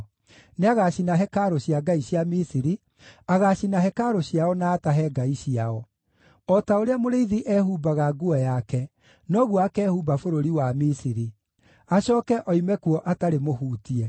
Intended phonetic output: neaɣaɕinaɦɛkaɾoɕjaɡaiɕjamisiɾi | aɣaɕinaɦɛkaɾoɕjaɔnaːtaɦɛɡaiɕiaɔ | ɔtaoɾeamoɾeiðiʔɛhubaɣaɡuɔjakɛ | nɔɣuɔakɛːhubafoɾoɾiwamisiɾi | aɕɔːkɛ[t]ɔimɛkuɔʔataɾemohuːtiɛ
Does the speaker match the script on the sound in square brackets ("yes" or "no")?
no